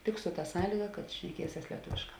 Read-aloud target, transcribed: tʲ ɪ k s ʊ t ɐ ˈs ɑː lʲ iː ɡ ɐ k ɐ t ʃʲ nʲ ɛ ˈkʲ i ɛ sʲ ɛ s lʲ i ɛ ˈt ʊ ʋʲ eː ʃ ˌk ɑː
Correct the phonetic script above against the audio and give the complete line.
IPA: tʲ ɪ k s ʊ t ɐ ˈs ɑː lʲ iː ɡ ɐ k ɐ t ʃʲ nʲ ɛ ˈkʲ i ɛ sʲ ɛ s lʲ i ɛ ˈt ʊ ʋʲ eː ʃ ˌk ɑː